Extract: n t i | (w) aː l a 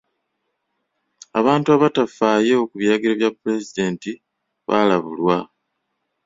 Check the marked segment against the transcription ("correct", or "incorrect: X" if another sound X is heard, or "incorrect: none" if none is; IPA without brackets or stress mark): incorrect: β